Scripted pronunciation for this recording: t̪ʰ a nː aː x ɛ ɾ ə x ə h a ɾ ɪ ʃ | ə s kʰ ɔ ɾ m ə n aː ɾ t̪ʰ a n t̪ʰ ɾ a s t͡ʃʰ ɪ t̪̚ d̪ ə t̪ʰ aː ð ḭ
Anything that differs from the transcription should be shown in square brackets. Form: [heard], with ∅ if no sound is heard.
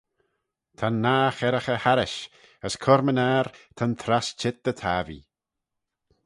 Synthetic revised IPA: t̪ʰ a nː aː x ɛ ɾ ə x ə h a ɾ ɪ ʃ | ə s kʰ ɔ ɾ m ə n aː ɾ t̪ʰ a n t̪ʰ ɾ a s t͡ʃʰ ɪ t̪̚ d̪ ə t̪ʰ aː [v] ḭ